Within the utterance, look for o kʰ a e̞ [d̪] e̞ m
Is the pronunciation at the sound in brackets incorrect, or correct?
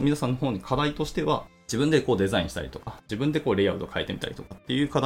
incorrect